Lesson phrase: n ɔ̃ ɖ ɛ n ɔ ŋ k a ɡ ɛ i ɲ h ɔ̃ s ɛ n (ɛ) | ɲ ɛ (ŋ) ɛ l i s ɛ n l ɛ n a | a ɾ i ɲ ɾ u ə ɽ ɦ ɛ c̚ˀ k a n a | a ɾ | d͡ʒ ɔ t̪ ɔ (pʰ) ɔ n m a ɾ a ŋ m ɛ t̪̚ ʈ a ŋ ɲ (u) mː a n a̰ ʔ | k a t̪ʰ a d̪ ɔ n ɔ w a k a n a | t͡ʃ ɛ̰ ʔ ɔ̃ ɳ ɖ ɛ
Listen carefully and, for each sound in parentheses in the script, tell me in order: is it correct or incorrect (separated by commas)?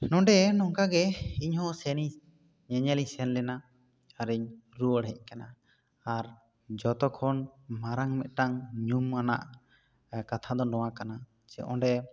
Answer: incorrect, incorrect, incorrect, correct